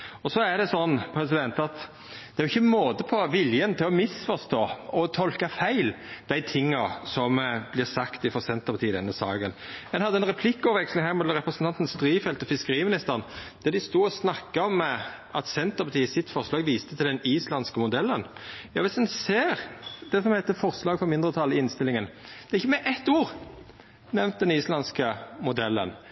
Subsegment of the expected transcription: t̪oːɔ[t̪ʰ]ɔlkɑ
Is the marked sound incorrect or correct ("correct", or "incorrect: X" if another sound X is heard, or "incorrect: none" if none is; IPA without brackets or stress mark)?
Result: correct